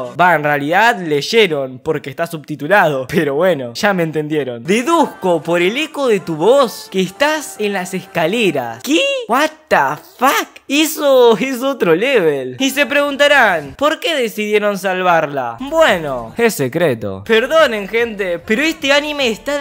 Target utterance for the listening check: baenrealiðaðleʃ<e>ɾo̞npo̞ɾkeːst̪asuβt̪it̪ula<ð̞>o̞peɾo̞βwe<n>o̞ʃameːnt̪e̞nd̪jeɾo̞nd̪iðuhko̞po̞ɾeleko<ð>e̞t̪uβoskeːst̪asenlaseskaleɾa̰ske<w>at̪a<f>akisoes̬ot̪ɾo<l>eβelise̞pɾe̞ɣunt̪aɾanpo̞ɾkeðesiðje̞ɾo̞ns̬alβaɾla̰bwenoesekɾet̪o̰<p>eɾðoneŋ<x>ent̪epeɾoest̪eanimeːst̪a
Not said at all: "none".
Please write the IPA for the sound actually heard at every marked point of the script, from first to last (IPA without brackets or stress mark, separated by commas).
e, ð̞, n, ð, w, f, l, p, x